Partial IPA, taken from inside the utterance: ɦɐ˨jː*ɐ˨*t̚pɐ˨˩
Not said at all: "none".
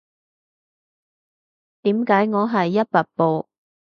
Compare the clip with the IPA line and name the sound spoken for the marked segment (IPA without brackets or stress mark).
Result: ɐ˥